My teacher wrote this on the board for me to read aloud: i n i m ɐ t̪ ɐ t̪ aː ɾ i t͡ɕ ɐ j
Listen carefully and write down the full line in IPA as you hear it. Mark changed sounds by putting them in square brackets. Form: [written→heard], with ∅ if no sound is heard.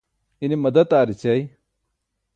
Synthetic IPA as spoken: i n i m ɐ [t̪→d̪] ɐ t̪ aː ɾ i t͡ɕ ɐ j

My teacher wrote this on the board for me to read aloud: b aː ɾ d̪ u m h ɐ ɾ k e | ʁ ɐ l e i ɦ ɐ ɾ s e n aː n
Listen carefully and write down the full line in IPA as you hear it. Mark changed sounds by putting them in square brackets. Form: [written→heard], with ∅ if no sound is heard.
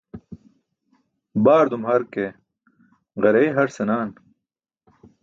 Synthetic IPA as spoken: b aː ɾ d̪ u m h ɐ ɾ k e | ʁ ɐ [l→ɾ] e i ɦ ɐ ɾ s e n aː n

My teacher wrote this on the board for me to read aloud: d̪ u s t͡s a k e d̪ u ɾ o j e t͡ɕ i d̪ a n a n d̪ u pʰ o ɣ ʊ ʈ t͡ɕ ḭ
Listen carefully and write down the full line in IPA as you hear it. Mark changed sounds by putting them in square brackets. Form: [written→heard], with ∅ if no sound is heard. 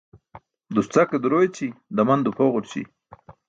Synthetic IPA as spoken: d̪ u s t͡s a k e d̪ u ɾ o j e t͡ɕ i d̪ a [n→m] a n d̪ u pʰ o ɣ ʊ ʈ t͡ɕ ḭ

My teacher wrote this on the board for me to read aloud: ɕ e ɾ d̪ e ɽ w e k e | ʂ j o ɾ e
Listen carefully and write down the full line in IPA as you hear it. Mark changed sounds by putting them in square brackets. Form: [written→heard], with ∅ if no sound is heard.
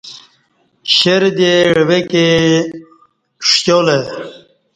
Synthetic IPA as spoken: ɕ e ɾ d̪ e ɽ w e k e | ʂ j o [ɾ→l] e

